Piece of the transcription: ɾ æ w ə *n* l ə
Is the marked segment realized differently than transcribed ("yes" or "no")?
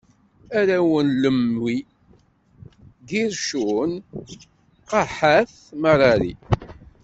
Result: no